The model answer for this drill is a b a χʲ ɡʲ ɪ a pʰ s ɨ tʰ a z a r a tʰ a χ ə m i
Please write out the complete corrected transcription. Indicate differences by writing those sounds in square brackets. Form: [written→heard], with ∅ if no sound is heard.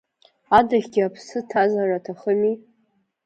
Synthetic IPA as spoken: a [b→d] a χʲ ɡʲ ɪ a pʰ s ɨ tʰ a z a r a tʰ a χ ə m i